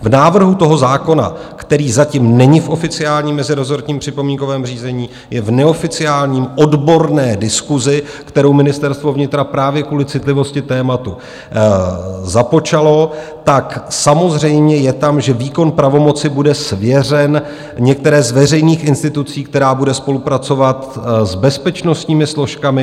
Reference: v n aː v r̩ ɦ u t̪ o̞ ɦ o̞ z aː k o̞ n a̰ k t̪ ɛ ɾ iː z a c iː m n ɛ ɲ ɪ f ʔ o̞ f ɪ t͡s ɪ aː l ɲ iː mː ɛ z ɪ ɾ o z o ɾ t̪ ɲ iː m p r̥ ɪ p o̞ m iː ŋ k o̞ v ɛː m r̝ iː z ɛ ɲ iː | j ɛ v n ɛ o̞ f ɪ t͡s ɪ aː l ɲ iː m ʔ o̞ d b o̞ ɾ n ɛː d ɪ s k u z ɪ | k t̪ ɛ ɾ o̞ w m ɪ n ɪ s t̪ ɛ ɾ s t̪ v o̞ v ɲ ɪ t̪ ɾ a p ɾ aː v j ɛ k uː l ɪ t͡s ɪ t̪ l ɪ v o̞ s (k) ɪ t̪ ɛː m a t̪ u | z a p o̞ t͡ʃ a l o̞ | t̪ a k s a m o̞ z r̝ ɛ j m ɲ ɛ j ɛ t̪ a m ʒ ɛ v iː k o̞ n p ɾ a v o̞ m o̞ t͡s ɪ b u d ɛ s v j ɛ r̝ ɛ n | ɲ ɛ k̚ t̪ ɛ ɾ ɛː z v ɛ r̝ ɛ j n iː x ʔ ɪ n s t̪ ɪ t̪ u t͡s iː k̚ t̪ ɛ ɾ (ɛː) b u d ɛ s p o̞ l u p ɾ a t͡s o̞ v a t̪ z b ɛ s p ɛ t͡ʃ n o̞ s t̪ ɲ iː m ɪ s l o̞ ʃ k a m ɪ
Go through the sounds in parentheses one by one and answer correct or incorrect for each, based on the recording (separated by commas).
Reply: incorrect, incorrect